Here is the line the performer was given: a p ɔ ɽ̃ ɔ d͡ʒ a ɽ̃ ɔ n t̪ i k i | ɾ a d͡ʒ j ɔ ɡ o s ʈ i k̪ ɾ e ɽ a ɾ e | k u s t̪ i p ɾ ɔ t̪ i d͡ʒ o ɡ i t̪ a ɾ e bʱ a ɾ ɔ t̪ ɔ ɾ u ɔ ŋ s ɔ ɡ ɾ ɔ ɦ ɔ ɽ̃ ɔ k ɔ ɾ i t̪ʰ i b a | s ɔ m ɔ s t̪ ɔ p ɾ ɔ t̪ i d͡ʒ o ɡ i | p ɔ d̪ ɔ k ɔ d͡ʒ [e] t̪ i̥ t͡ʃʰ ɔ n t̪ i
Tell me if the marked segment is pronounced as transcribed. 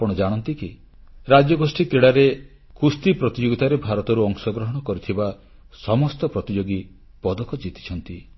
no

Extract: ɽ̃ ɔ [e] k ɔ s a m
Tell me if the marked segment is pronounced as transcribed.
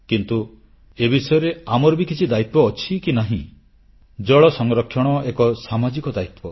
yes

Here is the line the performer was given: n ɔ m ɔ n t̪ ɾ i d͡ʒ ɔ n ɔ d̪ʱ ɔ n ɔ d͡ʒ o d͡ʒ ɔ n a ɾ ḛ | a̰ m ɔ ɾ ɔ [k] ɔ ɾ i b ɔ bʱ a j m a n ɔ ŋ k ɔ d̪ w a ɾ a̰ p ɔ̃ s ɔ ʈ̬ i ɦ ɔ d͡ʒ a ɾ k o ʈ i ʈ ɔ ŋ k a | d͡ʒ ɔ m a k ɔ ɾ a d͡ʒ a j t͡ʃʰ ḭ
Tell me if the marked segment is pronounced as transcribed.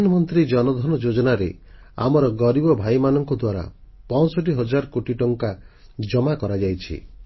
no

